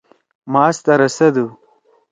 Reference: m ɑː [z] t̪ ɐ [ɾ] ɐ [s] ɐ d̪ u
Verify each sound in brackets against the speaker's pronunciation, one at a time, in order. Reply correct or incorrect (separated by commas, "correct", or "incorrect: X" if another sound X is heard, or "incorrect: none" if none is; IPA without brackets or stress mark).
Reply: incorrect: s, correct, correct